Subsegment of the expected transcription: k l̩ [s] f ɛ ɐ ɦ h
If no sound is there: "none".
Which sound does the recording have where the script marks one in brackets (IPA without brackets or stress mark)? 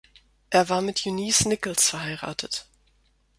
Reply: s